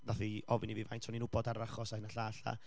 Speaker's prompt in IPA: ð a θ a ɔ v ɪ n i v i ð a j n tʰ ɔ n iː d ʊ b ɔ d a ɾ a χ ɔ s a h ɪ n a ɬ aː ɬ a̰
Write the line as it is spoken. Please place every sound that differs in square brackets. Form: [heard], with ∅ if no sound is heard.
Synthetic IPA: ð a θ [i] ɔ v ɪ n i v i [v] a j n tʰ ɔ n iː [n] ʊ b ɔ d a ɾ a χ ɔ s a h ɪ n a ɬ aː ɬ a̰